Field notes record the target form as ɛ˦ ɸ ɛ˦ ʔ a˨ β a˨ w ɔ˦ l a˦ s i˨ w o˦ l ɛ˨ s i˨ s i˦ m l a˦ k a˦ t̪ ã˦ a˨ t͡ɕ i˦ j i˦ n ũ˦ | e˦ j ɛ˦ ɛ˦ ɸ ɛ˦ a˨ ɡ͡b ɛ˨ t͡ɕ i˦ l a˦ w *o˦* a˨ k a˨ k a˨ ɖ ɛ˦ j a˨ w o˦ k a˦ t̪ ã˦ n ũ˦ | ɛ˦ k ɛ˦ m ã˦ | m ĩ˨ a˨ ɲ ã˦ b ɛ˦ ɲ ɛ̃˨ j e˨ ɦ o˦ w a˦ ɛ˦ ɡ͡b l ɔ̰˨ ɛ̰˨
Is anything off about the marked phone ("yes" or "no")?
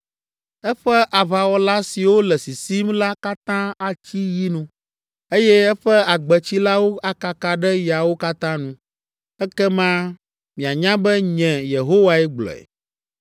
no